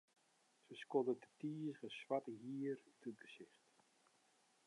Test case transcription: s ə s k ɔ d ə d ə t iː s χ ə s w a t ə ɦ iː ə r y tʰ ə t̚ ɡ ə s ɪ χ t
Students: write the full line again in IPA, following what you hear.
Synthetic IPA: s ə s k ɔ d ə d ə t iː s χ ə s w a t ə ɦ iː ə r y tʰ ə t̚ ɡ ə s ɪ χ t